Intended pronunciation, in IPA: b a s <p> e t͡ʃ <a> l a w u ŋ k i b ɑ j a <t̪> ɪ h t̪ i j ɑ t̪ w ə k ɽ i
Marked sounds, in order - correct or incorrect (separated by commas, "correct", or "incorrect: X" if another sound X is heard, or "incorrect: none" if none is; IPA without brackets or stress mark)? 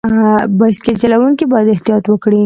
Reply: incorrect: k, correct, incorrect: d̪